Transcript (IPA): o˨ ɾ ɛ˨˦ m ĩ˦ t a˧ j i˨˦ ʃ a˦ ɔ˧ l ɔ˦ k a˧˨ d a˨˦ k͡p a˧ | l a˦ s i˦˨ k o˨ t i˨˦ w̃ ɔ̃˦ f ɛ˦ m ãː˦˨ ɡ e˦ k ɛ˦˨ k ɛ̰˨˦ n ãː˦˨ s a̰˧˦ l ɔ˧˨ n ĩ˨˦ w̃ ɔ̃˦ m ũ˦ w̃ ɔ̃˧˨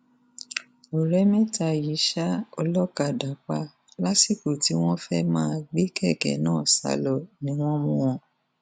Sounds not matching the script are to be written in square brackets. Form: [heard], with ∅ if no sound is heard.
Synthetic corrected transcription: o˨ ɾ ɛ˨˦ m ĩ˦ t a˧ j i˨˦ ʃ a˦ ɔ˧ l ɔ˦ k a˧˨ d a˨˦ k͡p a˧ | l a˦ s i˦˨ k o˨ t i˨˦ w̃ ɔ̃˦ f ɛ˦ m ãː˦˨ [ɡ͡b] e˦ k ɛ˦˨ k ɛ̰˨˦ n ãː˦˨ s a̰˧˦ l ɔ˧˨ n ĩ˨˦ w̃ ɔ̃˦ m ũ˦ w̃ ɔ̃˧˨